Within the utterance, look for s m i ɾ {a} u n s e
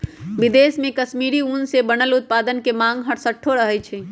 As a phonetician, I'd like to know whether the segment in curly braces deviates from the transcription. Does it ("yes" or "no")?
yes